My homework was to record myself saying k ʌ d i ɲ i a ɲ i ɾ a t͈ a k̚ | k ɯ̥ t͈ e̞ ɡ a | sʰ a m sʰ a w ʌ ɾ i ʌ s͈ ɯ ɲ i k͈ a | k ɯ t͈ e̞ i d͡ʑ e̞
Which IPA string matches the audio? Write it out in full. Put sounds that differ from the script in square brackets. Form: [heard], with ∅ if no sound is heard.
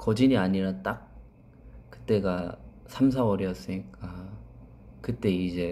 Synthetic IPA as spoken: k ʌ [d͡ʑ] i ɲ i a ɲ i ɾ a t͈ a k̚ | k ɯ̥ t͈ e̞ ɡ a | sʰ a m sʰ a w ʌ ɾ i ʌ s͈ ɯ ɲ i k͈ a | k ɯ t͈ e̞ i d͡ʑ e̞